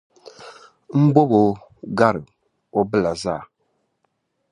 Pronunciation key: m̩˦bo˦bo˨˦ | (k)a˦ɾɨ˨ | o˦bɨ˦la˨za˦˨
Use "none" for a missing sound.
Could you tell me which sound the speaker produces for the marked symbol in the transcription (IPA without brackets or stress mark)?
ɡ